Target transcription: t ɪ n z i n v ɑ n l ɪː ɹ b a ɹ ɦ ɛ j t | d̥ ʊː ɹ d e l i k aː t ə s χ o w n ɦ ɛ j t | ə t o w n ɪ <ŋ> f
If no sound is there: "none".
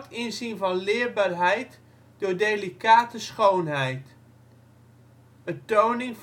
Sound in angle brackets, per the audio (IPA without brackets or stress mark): ŋ